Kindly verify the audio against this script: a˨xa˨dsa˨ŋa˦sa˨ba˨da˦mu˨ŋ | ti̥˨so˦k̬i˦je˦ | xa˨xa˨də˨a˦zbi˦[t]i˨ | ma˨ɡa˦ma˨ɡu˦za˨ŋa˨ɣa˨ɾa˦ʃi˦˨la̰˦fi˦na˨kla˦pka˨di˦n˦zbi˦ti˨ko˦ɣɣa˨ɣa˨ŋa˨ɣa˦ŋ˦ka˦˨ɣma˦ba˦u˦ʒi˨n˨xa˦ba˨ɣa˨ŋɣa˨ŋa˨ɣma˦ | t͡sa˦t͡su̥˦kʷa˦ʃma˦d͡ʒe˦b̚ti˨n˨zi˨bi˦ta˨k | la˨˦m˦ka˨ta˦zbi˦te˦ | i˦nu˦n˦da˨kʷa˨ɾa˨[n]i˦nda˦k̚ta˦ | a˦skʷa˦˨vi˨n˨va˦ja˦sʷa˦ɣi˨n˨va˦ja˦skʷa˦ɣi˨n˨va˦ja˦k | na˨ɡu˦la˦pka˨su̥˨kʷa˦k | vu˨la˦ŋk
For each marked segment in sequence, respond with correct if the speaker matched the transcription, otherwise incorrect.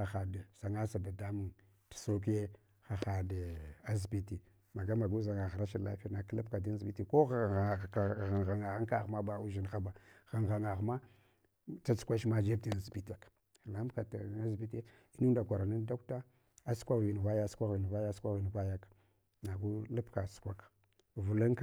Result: correct, correct

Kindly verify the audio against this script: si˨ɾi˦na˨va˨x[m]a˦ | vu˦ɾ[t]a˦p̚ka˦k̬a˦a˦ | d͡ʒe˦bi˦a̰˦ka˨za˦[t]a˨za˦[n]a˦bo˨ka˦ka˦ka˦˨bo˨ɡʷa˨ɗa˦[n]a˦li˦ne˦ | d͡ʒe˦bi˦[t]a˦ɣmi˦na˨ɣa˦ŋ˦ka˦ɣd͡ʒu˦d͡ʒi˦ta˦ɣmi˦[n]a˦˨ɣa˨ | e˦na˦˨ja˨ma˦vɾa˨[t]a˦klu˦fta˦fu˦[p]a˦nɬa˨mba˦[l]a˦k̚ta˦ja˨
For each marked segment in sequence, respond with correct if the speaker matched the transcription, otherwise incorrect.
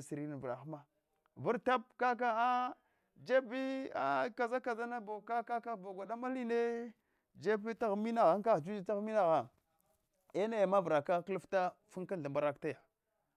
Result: correct, correct, incorrect, correct, incorrect, correct, correct, incorrect, incorrect, incorrect

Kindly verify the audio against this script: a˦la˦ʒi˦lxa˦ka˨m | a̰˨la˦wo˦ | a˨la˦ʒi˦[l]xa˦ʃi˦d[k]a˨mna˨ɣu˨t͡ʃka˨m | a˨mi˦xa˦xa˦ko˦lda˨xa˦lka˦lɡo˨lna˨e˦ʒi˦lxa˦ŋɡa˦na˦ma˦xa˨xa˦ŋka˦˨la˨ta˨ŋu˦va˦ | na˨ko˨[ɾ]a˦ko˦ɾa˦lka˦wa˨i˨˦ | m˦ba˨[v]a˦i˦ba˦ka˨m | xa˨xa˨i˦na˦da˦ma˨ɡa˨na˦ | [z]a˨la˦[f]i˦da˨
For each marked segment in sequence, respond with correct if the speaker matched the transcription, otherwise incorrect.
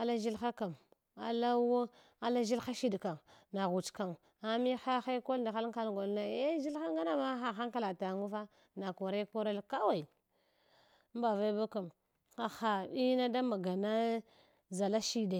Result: correct, correct, correct, correct, correct, incorrect

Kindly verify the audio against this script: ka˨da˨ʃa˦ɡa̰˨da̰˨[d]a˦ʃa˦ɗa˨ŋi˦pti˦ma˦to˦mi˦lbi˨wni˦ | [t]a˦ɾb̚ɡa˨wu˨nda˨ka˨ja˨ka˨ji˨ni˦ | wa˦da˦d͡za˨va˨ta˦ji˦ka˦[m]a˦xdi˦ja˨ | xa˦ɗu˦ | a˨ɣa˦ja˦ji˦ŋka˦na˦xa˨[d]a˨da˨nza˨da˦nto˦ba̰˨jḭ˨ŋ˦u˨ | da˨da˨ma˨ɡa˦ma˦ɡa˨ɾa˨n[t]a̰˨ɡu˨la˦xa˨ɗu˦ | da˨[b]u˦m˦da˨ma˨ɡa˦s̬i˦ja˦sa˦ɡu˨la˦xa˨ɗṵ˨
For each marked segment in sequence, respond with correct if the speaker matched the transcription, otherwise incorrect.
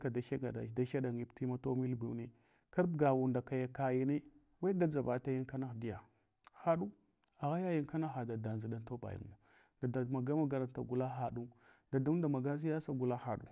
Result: correct, incorrect, incorrect, correct, correct, incorrect

